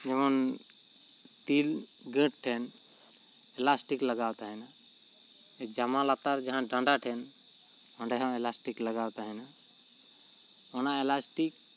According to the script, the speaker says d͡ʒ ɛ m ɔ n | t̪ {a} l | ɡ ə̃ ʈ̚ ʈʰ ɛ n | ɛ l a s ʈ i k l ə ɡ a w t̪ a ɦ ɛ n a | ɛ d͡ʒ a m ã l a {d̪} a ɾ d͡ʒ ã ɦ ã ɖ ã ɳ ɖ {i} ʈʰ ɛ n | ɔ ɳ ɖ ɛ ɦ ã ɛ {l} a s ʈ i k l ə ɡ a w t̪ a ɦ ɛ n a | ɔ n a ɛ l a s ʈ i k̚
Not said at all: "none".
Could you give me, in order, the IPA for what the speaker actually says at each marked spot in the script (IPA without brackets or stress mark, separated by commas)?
i, t̪, a, l